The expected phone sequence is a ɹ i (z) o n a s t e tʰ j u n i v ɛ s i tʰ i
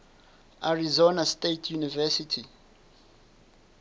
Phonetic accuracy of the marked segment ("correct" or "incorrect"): correct